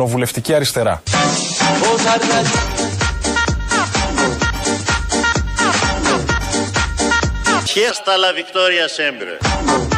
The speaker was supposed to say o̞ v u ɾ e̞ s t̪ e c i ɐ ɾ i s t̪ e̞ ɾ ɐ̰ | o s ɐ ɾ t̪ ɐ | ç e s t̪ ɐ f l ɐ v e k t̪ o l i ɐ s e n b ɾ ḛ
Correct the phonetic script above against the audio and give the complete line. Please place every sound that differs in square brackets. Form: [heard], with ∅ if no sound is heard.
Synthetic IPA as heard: o̞ v u [l] e̞ [f] t̪ [i] c i ɐ ɾ i s t̪ e̞ ɾ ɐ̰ | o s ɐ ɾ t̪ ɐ | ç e s t̪ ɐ [∅] l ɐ v [i] k t̪ o [ɾ] i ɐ s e [m] b ɾ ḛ